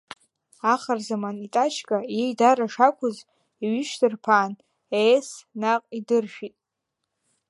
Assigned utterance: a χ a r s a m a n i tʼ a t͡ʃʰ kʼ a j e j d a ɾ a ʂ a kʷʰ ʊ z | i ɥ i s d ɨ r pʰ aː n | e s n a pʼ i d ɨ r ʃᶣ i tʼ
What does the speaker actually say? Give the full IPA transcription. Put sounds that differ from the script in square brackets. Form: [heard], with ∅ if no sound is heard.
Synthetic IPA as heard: a χ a r [z] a m a n i tʼ a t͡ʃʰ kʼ a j e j d a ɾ a ʂ a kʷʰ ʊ z | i ɥ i [ʃ] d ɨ r pʰ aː n | e s n a [qʼ] i d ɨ r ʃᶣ i tʼ

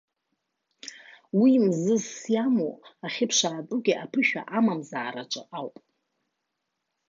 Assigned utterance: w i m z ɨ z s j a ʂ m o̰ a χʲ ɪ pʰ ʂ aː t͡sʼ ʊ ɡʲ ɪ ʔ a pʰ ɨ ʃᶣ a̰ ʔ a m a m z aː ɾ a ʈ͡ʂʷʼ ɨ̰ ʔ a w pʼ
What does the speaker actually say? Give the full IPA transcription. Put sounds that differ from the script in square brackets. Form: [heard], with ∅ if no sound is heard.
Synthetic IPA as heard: w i m z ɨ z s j a [∅] m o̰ a χʲ ɪ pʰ ʂ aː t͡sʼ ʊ ɡʲ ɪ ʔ a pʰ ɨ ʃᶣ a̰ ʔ a m a m z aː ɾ a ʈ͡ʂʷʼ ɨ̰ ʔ a w pʼ

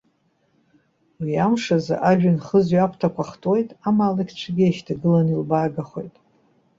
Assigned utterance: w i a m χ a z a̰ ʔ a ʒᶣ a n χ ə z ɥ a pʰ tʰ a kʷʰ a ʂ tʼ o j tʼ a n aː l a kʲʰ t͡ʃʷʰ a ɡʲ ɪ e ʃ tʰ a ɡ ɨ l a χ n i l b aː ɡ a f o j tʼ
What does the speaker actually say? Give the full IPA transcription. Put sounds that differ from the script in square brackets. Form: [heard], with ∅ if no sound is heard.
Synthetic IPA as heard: w i a m [ʂ] a z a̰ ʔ a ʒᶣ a n χ ə z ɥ a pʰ tʰ a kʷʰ a [χ] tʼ o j tʼ a [m] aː l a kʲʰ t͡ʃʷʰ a ɡʲ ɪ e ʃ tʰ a ɡ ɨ l a [∅] n i l b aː ɡ a [χ] o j tʼ

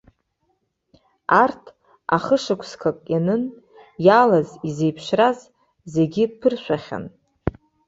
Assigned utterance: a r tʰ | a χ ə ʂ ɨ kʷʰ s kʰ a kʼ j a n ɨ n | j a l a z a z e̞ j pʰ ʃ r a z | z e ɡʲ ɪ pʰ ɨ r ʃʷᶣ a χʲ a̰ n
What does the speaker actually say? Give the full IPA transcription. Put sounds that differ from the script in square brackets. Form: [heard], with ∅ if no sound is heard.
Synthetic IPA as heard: a r tʰ | a χ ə ʂ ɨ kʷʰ s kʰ a kʼ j a n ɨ n | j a l a z [i] z e̞ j pʰ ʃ r a z | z e ɡʲ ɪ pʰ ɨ r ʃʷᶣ a χʲ a̰ n

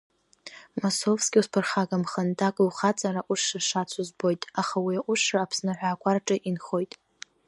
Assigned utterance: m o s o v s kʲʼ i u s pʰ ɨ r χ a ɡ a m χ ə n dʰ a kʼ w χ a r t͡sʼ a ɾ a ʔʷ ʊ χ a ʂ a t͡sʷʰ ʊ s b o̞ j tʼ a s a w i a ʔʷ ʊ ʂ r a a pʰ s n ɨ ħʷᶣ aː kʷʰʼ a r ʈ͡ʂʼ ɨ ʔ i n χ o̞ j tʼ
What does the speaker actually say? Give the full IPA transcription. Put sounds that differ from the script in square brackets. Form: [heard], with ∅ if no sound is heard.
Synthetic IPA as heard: m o s o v s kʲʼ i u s pʰ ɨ r χ a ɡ a m χ ə n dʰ a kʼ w χ a [∅] t͡sʼ a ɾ a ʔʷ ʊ [ʂ] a ʂ a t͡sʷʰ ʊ [z] b o̞ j tʼ a [χ] a w i a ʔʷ ʊ ʂ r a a pʰ s n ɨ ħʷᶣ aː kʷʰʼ a r ʈ͡ʂʼ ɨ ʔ i n χ o̞ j tʼ

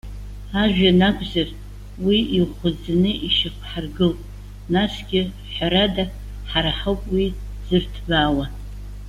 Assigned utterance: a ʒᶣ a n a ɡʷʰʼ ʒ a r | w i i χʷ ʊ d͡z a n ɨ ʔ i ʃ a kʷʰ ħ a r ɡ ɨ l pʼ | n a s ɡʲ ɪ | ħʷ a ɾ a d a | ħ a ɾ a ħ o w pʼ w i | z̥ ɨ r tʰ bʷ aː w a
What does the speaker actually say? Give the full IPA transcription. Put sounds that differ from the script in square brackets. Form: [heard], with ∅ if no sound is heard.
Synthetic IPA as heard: a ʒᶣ a n a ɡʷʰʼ [z] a r | w i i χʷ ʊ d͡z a n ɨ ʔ i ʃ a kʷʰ ħ a r ɡ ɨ l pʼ | n a s ɡʲ ɪ | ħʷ a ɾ a d a | ħ a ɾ a ħ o w pʼ w i | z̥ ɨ r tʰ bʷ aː w a

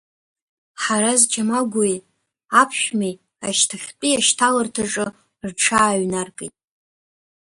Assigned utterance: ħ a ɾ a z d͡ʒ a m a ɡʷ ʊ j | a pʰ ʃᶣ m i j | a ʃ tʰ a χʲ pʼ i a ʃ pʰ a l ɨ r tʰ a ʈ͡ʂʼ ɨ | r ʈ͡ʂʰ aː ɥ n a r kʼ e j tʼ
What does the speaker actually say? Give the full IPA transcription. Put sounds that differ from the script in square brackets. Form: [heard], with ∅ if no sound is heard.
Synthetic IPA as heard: ħ a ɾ a z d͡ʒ a m a ɡʷ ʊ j | a pʰ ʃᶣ m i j | a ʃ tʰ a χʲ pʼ i a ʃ [tʰ] a l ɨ r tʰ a ʈ͡ʂʼ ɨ | r ʈ͡ʂʰ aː ɥ n a r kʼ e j tʼ

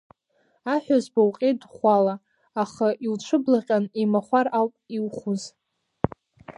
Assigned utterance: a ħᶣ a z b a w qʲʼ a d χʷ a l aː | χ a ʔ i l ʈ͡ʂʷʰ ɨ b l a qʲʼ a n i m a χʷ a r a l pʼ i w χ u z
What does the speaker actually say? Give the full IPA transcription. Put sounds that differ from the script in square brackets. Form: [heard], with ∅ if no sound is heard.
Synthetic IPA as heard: a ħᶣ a z b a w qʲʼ [e] d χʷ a l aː | χ a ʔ i l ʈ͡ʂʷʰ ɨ b l a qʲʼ a n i m a χʷ a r a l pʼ i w χ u z

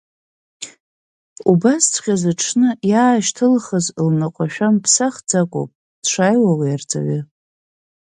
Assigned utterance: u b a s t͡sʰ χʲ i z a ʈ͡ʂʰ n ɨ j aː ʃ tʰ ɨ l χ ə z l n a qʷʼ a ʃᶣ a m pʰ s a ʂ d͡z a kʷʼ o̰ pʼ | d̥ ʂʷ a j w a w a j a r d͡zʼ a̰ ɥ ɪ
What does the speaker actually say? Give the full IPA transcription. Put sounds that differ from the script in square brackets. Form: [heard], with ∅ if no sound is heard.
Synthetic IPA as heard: u b a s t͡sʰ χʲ [a] z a ʈ͡ʂʰ n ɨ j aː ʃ tʰ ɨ l χ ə z l n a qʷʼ a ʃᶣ a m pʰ s a [χ] d͡z a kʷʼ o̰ pʼ | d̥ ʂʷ a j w a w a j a r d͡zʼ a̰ ɥ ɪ

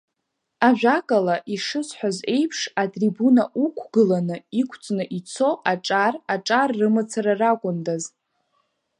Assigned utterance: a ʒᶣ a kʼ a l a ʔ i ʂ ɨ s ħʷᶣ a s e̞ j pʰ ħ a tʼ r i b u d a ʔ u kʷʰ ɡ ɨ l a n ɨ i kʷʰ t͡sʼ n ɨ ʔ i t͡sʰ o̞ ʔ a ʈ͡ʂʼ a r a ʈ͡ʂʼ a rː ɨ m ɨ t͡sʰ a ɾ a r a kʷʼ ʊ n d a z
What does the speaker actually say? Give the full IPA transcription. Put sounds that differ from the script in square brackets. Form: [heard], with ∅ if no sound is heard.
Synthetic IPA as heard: a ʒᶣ a kʼ a l a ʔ i ʂ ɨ s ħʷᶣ a [z] e̞ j pʰ [ʂ] a tʼ r i b u [n] a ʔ u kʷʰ ɡ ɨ l a n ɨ i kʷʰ t͡sʼ n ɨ ʔ i t͡sʰ o̞ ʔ a ʈ͡ʂʼ a r a ʈ͡ʂʼ a rː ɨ m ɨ t͡sʰ a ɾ a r a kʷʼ ʊ n d a z

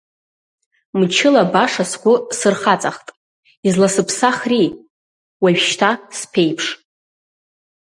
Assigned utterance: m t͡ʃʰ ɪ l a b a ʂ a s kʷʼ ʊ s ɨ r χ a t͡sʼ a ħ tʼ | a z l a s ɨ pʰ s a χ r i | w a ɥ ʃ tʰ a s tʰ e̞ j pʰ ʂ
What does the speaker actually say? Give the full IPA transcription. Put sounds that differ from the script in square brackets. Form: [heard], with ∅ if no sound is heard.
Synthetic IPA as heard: m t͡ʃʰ ɪ l a b a ʂ a s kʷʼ ʊ s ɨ r χ a t͡sʼ a [χ] tʼ | [i] z l a s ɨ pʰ s a χ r i | w a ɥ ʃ tʰ a s [pʰ] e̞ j pʰ ʂ

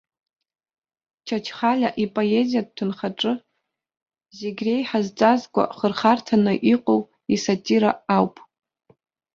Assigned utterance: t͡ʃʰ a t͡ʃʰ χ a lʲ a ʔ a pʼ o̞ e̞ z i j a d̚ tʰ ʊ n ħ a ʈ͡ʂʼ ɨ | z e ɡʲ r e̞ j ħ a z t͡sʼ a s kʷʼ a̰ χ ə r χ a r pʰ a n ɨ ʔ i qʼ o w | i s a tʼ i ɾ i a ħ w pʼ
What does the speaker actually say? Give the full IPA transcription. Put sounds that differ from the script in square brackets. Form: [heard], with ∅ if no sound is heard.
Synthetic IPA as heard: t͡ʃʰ a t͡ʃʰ χ a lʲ a ʔ [i] pʼ o̞ e̞ z i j a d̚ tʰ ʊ n [χ] a ʈ͡ʂʼ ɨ | z e ɡʲ r e̞ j ħ a z t͡sʼ a [z] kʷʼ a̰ χ ə r χ a r [tʰ] a n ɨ ʔ i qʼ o w | i s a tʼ i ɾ [a] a [∅] w pʼ

